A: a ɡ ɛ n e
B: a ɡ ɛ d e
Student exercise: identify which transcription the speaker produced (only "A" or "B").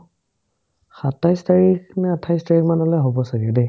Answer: B